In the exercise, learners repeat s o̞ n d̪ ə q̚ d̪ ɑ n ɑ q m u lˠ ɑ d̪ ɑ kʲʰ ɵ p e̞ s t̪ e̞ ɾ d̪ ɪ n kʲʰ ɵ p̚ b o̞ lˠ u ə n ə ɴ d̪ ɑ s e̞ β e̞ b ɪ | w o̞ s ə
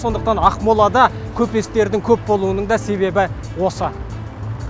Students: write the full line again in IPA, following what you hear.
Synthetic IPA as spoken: s o̞ n d̪ ə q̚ t̪ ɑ n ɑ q m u lˠ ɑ d̪ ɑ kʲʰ ɵ p e̞ s t̪ e̞ ɾ d̪ ɪ ŋ kʲʰ ɵ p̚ b o̞ lˠ u ə n ə ɴ d̪ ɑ s e̞ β e̞ b ɪ | w o̞ s ə